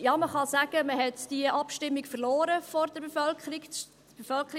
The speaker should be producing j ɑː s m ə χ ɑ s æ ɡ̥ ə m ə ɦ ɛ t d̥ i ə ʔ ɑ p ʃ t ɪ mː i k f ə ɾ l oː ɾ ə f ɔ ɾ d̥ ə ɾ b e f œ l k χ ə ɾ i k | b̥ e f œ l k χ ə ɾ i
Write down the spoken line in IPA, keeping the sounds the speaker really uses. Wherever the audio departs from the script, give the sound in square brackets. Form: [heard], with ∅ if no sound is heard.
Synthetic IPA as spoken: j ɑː [∅] m ə χ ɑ s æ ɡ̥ ə m ə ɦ ɛ t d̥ i ə ʔ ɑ p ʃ t ɪ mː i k f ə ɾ l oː ɾ ə f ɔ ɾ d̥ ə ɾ b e f œ l k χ ə ɾ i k | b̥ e f œ l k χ ə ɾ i